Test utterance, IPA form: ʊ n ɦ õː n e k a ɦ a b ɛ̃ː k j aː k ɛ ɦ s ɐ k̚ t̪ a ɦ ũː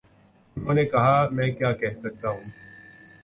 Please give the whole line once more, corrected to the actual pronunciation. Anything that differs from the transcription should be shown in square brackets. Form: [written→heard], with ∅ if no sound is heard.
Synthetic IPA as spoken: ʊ n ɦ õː n e k [a→ɐ] ɦ a [b→m] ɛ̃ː k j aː k ɛ ɦ s ɐ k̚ t̪ a ɦ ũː